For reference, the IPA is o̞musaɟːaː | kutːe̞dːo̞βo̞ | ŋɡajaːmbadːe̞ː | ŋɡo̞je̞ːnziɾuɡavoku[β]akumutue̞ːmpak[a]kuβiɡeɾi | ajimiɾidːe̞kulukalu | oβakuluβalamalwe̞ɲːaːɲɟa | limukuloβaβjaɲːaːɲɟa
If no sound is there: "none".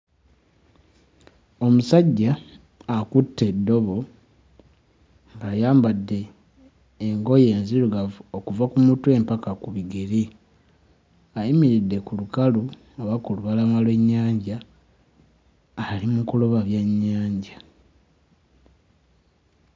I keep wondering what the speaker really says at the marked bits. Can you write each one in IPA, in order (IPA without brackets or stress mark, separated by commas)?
v, a